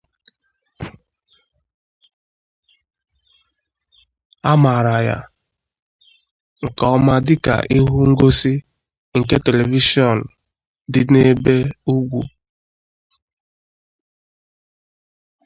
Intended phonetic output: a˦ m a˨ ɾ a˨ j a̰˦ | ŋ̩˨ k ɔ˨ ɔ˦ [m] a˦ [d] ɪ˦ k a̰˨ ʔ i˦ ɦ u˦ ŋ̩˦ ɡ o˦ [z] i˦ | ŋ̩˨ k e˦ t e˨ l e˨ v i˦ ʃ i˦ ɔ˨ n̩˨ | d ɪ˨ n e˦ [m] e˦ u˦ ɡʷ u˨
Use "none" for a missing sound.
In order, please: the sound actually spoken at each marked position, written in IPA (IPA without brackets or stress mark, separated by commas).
m, d, s, b